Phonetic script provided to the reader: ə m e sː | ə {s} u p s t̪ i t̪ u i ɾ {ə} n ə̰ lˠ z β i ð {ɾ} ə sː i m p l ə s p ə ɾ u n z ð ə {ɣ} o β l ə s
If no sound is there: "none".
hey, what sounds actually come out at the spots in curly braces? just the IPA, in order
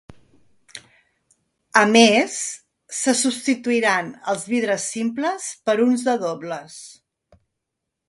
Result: s, a, ɾ, ð

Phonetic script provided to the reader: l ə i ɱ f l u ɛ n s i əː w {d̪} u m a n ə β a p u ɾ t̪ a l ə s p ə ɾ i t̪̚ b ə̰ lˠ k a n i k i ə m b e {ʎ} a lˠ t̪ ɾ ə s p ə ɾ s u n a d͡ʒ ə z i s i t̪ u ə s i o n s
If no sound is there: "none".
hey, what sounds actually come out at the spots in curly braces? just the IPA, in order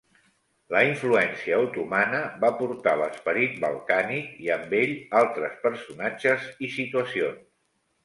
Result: t̪, ʎ

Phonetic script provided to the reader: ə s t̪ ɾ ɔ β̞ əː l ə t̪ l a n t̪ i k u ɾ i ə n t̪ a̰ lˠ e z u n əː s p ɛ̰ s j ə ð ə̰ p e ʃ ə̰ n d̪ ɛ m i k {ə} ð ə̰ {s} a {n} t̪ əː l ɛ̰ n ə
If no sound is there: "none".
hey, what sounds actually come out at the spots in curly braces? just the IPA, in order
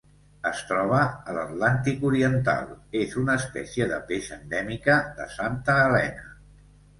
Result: ə, s, n

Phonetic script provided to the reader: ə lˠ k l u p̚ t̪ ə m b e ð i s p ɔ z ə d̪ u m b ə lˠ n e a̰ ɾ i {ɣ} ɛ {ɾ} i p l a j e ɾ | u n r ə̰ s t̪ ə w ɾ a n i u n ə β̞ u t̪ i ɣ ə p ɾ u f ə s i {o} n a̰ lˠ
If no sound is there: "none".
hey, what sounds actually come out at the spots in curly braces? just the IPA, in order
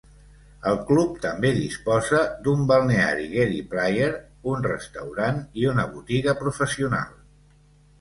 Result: ɣ, ɾ, u

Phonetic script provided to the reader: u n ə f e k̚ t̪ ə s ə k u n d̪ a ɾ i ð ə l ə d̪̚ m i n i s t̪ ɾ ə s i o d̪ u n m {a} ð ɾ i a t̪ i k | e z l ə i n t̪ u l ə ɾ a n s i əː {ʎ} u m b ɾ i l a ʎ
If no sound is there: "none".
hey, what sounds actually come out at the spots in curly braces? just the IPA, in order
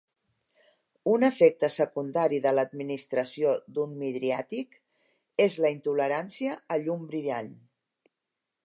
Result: i, ʎ

